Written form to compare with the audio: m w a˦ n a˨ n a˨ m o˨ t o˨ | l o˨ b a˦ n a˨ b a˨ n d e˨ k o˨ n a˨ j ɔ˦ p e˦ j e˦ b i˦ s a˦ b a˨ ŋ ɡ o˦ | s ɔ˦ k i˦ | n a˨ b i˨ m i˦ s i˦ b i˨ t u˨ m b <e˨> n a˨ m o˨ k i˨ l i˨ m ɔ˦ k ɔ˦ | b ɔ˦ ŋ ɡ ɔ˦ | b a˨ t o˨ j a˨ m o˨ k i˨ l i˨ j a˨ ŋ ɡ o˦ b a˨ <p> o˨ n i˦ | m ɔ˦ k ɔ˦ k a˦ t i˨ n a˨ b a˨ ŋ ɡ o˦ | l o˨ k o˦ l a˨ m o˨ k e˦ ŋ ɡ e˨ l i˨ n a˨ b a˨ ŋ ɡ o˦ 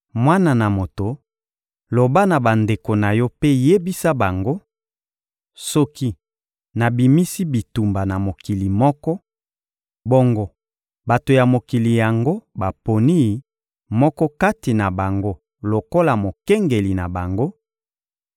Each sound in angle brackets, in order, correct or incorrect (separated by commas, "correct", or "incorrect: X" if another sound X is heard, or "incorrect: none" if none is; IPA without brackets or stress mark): incorrect: a˨, correct